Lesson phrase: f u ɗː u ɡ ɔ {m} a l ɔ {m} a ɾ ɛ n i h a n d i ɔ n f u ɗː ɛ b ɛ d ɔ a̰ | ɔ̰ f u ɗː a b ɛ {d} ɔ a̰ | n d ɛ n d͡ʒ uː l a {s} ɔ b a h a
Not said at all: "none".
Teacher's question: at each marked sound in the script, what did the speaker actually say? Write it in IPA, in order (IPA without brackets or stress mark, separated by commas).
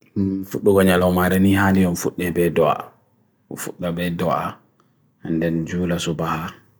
ɲ, m, d, s